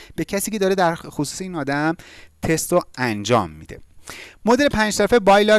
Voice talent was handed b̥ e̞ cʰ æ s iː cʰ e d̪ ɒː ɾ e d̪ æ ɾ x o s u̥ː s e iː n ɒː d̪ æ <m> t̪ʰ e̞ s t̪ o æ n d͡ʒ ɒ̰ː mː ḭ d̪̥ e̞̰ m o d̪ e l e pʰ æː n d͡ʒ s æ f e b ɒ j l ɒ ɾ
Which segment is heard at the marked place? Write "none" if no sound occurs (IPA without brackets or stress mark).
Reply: m